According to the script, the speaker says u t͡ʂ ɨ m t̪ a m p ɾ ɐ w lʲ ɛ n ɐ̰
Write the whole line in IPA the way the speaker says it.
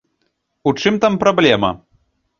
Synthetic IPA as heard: u t͡ʂ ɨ m t̪ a m p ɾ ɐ b lʲ ɛ m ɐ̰